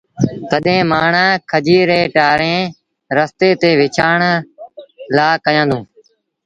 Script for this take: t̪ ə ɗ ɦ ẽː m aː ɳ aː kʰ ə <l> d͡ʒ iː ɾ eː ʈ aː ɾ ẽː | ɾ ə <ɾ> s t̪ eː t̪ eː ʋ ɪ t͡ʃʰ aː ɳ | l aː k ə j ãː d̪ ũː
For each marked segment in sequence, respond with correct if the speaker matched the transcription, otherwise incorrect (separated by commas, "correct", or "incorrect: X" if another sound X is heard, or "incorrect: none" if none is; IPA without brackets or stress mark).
incorrect: none, incorrect: none